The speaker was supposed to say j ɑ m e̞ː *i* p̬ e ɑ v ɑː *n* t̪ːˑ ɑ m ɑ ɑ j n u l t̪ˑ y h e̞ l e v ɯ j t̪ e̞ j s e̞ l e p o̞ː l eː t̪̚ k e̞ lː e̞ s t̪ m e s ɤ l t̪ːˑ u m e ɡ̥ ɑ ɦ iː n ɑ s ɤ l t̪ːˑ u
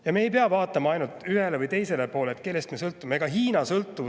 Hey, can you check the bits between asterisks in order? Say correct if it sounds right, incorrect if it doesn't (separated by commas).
incorrect, incorrect